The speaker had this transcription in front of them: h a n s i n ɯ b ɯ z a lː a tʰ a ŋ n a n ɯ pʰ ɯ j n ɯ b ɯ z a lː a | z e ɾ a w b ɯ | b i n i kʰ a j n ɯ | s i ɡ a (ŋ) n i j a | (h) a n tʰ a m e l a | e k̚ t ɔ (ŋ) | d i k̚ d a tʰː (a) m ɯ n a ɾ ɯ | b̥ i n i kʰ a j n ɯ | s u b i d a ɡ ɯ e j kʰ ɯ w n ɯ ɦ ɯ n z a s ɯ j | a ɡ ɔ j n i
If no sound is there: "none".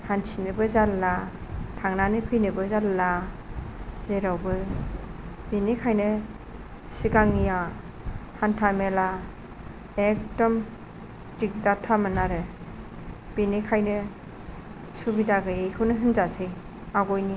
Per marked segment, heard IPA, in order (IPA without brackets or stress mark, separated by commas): ŋ, h, m, a